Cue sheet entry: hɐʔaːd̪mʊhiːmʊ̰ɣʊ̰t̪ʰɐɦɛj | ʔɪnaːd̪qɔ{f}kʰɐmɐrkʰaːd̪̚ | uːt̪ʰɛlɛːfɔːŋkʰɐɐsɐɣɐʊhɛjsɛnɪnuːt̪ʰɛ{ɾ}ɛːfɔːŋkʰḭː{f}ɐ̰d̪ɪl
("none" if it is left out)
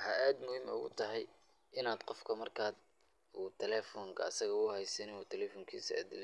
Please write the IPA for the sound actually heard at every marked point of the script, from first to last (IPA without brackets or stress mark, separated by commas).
f, l, s